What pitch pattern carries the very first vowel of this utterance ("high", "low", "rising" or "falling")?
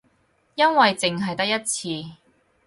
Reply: high